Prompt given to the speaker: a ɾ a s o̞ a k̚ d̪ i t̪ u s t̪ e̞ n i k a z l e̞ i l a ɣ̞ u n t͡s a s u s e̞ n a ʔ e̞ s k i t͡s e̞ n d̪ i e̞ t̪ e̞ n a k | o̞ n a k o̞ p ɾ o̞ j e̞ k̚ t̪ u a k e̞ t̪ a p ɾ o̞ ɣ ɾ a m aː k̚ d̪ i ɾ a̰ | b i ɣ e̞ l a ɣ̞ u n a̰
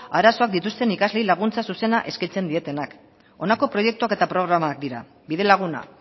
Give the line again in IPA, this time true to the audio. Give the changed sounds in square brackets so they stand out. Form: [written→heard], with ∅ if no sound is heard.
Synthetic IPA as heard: a ɾ a s o̞ a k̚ d̪ i t̪ u s t̪ e̞ n i k a z l e̞ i l a ɣ̞ u n t͡s a s u s e̞ n a ʔ e̞ s k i t͡s e̞ n d̪ i e̞ t̪ e̞ n a k | o̞ n a k o̞ p ɾ o̞ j e̞ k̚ t̪ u a k e̞ t̪ a p ɾ o̞ ɣ ɾ a m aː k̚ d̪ i ɾ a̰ | b i [ɣ→ð] e̞ l a ɣ̞ u n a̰